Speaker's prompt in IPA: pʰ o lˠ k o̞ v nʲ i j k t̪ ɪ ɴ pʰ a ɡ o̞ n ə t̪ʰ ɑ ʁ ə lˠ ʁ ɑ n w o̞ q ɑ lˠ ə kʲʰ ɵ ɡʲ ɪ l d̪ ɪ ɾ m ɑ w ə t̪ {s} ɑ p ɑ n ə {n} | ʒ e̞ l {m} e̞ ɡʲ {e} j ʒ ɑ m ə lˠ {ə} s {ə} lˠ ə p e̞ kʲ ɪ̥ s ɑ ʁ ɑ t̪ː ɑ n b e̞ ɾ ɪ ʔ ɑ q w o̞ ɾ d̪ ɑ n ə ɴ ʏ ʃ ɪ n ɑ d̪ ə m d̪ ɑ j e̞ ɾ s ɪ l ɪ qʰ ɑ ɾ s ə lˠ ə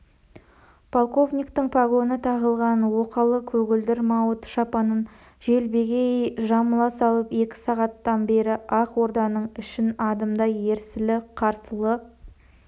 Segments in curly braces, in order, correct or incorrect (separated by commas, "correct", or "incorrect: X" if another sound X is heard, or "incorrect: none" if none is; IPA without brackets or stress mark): incorrect: ʃ, correct, incorrect: b, correct, incorrect: ɑ, incorrect: ɑ